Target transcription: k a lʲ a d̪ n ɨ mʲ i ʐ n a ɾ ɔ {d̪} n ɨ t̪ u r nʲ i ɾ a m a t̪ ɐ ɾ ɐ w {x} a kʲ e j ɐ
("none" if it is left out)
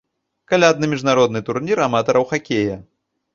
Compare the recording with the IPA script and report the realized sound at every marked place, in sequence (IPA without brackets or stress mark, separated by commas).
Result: d̪, x